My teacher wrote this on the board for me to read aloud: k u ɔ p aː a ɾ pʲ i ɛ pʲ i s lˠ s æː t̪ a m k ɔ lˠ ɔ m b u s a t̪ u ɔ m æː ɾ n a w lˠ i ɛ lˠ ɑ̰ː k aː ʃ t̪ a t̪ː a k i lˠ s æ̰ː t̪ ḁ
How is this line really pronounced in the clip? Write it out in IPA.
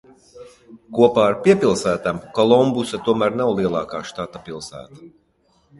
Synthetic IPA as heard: k u ɔ p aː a ɾ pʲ i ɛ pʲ i lˠ s æː t̪ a m k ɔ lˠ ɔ m b u s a t̪ u ɔ m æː ɾ n a w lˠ i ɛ lˠ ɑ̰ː k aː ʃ t̪ a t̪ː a p i lˠ s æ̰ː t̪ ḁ